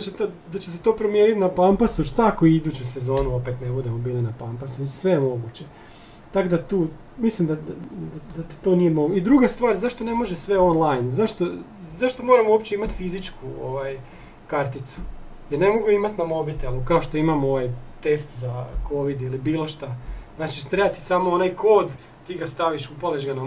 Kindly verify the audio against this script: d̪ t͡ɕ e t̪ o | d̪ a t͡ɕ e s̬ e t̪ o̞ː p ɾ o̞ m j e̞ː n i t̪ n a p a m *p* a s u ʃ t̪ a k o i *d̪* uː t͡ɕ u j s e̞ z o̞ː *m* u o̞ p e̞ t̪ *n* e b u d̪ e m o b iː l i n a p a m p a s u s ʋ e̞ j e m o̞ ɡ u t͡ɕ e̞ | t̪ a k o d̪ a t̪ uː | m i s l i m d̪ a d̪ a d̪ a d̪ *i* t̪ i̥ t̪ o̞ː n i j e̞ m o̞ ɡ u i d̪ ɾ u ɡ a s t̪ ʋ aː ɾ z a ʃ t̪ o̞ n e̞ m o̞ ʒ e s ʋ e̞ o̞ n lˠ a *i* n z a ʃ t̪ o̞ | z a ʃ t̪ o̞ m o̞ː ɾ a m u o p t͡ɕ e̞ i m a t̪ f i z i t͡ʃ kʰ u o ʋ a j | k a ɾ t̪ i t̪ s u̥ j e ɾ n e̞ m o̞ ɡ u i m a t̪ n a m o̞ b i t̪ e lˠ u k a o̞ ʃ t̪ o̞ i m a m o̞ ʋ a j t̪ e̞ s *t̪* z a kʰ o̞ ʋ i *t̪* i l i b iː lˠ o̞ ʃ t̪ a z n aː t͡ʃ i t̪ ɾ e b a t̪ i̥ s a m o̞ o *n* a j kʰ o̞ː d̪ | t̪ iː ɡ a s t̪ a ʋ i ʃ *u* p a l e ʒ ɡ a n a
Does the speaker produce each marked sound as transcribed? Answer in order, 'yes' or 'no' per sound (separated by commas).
yes, yes, no, yes, no, no, yes, no, yes, yes